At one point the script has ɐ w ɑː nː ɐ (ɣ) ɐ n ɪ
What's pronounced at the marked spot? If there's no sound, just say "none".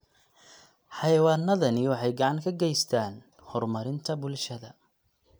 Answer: ð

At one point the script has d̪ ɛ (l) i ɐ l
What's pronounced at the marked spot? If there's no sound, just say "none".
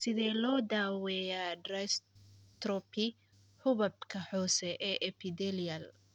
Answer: l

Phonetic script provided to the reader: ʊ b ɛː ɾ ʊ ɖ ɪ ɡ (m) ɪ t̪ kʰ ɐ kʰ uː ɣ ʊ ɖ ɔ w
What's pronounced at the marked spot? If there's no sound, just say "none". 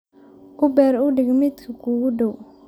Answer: m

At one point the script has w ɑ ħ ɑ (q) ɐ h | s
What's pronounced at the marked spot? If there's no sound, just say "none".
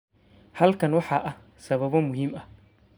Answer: ʔ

